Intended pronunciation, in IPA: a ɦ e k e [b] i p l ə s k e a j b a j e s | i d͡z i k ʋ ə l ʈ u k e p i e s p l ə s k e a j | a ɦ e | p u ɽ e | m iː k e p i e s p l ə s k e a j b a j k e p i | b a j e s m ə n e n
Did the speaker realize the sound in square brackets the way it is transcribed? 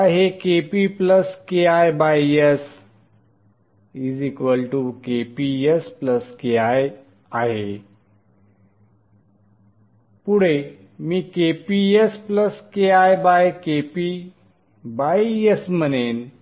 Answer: no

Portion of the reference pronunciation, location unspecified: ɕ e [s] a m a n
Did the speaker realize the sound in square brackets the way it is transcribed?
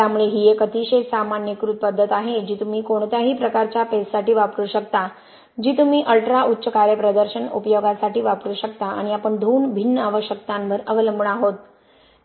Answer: yes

